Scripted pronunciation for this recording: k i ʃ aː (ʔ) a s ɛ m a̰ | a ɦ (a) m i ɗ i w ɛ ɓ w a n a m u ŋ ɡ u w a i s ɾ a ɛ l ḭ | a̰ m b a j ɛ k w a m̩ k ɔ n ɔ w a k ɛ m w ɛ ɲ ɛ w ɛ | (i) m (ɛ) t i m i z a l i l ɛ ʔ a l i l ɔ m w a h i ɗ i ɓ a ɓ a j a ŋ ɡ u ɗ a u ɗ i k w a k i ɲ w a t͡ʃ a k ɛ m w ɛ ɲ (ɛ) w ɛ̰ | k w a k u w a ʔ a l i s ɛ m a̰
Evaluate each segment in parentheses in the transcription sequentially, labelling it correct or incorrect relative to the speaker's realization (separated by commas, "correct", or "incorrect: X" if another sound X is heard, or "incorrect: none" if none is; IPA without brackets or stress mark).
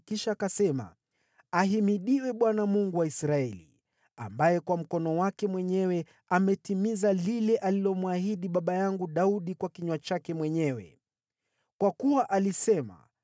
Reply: incorrect: k, incorrect: i, incorrect: a, correct, correct